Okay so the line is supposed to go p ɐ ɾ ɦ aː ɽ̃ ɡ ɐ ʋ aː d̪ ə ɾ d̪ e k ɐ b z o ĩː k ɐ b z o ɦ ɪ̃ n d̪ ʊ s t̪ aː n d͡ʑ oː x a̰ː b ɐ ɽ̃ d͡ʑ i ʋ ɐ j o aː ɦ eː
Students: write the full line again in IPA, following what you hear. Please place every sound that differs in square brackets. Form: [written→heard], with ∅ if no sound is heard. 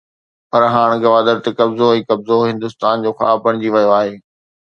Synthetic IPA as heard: p ɐ ɾ ɦ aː ɽ̃ ɡ ɐ ʋ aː d̪ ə ɾ [d̪→t̪] e k ɐ b z o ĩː k ɐ b z o ɦ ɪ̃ n d̪ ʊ s t̪ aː n d͡ʑ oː x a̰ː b ɐ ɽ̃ d͡ʑ i ʋ ɐ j o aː ɦ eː

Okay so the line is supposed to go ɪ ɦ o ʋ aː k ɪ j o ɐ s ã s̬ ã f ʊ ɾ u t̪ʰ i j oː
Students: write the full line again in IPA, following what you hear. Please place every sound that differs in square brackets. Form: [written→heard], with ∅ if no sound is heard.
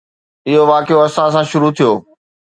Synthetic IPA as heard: ɪ ɦ o ʋ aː k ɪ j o ɐ s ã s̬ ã [f→ʃ] ʊ ɾ u t̪ʰ i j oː

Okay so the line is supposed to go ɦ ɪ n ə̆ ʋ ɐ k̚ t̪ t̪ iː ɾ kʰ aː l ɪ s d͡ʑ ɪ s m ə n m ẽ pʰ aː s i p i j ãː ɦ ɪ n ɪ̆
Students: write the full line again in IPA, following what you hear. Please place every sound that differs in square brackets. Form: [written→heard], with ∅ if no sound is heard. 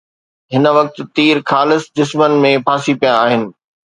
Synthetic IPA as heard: ɦ ɪ n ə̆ ʋ ɐ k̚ t̪ t̪ iː ɾ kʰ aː l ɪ s d͡ʑ ɪ s m ə n m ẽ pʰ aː s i p i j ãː ɦ ɪ n ɪ̆

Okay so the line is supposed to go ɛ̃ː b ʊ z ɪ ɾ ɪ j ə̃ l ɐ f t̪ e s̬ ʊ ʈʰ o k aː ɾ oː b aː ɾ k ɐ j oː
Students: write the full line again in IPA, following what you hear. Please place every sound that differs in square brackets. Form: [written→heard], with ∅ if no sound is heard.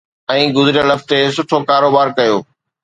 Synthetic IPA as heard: ɛ̃ː [b→ɡ] ʊ z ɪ ɾ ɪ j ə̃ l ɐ f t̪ e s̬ ʊ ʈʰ o k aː ɾ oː b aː ɾ k ɐ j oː

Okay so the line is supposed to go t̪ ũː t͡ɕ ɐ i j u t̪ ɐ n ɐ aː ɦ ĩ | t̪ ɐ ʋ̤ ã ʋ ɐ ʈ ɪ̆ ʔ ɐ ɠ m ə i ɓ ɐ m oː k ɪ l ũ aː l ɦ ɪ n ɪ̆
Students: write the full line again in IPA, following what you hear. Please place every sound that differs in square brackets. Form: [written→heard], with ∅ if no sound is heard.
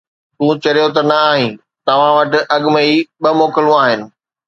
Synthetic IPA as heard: t̪ ũː t͡ɕ ɐ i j [u→o] t̪ ɐ n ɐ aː ɦ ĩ | t̪ ɐ ʋ̤ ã ʋ ɐ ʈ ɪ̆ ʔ ɐ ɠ m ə i ɓ ɐ m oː k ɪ l ũ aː [l→∅] ɦ ɪ n ɪ̆

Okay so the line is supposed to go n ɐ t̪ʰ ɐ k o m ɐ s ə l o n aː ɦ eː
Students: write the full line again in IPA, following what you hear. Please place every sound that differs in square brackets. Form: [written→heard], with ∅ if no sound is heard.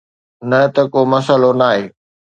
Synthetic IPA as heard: n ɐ [t̪ʰ→t̪] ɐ k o m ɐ s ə l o n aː ɦ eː

